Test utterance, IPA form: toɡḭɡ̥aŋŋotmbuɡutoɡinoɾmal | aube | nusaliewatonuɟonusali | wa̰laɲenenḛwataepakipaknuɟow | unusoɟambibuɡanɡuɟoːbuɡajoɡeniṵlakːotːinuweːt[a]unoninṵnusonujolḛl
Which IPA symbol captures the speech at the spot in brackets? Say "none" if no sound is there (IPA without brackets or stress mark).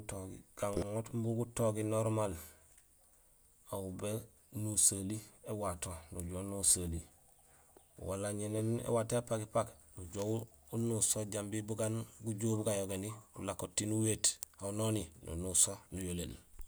a